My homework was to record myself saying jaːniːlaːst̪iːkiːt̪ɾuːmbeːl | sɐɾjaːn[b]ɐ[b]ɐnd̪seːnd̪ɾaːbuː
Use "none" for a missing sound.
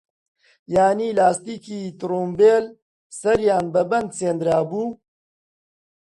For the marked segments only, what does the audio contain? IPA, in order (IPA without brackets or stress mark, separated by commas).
b, b